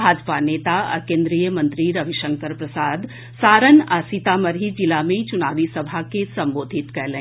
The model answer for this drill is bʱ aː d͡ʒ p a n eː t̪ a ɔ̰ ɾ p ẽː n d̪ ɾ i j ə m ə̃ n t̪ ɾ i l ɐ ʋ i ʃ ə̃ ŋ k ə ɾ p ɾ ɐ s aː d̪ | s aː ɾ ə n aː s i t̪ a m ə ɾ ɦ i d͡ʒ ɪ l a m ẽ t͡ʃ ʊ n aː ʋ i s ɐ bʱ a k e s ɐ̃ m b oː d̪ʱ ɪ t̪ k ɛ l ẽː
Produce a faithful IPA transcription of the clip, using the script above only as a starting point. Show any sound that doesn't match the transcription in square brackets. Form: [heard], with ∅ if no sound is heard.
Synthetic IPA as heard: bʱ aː d͡ʒ p a n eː t̪ a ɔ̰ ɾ [k] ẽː n d̪ ɾ i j ə m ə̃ n t̪ ɾ i [ɾ] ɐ ʋ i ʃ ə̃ ŋ k ə ɾ p ɾ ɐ s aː d̪ | s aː ɾ ə n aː s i t̪ a m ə ɾ ɦ i d͡ʒ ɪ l a m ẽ t͡ʃ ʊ n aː ʋ i s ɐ bʱ a k e s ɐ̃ m b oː d̪ʱ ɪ t̪ k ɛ l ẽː